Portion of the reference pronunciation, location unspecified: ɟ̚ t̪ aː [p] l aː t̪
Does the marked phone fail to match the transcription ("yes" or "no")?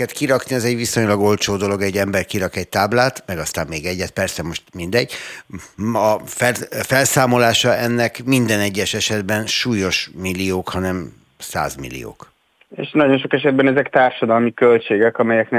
yes